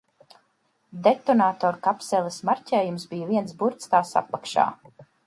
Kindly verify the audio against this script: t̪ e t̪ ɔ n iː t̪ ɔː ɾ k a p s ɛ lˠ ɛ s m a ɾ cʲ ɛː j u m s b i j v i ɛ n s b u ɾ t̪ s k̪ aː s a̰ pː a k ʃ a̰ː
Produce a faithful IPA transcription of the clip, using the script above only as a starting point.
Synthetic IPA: d̪ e t̪ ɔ n aː t̪ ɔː ɾ k a p s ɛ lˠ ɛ s m a ɾ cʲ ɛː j u m s b i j v i ɛ n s b u ɾ t̪ s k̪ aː s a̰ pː a k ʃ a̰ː